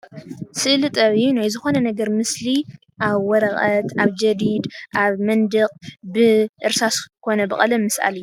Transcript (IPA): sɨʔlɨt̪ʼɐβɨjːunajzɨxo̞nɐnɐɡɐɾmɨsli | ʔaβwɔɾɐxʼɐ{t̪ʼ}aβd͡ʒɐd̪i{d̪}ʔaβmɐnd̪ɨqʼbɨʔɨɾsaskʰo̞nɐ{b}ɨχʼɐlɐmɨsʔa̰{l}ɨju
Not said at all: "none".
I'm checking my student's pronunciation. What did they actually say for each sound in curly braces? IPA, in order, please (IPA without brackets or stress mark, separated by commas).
t̪, d̪, b, l